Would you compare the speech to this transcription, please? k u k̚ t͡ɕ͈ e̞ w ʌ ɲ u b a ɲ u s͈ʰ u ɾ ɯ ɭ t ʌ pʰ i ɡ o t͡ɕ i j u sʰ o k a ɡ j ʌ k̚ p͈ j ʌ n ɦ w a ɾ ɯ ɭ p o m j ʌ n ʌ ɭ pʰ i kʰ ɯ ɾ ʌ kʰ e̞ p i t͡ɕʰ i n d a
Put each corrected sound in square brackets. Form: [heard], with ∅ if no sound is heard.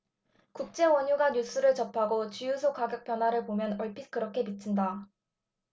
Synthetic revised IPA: k u k̚ t͡ɕ͈ e̞ w ʌ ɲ u [ɡ] a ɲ u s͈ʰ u ɾ ɯ ɭ [t͡ɕ] ʌ pʰ [a] ɡ o t͡ɕ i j u sʰ o k a ɡ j ʌ k̚ p͈ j ʌ n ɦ w a ɾ ɯ ɭ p o m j ʌ n ʌ ɭ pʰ i [k] ɯ ɾ ʌ kʰ e̞ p i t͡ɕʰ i n d a